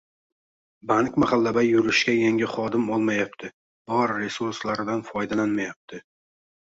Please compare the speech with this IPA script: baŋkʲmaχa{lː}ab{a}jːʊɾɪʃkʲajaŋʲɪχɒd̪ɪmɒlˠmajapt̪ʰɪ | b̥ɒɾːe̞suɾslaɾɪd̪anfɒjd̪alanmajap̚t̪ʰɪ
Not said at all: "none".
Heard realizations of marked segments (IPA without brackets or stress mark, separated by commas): lː, a